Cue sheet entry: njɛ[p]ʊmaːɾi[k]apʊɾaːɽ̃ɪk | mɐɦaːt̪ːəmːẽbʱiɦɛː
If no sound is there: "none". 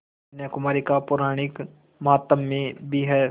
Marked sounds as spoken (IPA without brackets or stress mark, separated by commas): k, k